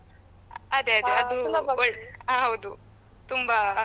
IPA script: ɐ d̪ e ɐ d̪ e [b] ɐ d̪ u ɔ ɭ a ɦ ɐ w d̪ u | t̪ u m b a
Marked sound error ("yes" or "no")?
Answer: yes